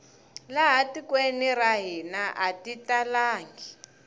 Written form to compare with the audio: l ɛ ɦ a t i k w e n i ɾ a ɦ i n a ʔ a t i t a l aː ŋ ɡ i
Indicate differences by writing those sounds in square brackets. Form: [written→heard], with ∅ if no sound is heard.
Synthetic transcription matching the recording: l [ɛ→a] ɦ a t i k w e n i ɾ a ɦ i n a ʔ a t i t a l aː ŋ ɡ i